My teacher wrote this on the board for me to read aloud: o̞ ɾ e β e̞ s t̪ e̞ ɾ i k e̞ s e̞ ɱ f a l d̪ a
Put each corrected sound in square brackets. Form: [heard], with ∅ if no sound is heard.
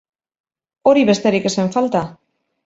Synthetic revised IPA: o̞ ɾ [i] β e̞ s t̪ e̞ ɾ i k e̞ s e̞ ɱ f a l [t̪] a